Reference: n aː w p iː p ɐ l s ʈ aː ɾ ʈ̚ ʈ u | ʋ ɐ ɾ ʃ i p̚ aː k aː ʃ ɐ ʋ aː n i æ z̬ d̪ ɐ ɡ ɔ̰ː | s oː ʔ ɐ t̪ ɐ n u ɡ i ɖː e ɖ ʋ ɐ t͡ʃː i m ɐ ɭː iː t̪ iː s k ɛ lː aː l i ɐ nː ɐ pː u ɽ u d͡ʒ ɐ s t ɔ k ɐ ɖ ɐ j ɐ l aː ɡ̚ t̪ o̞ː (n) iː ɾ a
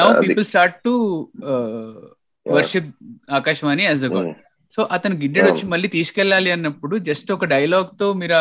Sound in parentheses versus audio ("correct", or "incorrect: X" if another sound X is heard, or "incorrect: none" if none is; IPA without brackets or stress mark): incorrect: m